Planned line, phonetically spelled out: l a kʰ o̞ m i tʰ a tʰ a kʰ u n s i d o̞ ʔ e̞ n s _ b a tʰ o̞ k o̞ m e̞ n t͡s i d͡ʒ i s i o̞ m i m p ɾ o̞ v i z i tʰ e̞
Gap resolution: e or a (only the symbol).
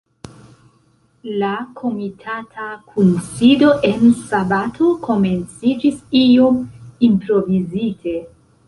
a